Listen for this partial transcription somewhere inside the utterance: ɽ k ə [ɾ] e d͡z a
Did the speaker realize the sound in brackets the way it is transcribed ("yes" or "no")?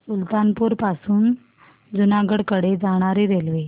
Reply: no